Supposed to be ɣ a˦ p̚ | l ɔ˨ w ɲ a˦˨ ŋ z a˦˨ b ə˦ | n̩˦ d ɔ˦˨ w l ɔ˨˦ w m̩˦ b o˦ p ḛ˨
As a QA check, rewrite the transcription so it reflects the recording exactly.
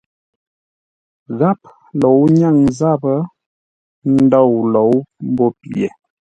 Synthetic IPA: ɣ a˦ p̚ | l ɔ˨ w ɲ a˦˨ ŋ z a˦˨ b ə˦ | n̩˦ d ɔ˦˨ w l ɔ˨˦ w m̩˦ b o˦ p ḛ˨